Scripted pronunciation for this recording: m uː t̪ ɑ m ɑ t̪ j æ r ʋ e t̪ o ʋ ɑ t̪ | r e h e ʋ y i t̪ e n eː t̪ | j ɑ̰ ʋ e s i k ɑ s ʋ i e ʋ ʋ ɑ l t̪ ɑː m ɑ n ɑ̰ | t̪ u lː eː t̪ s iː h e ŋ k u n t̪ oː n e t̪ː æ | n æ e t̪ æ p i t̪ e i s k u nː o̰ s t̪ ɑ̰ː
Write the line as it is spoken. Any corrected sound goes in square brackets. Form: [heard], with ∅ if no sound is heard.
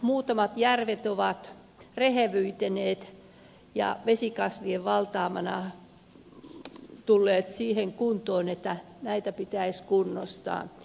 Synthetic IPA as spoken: m uː t̪ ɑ m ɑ t̪ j æ r ʋ e t̪ o ʋ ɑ t̪ | r e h e ʋ y i t̪ e n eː t̪ | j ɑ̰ ʋ e s i k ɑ s ʋ i e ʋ ʋ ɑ l t̪ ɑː m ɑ n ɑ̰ | t̪ u lː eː t̪ s iː h e ŋ k u n t̪ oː n e t̪ː æ | n æ [i] t̪ æ p i t̪ [æ] i s k u nː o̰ s t̪ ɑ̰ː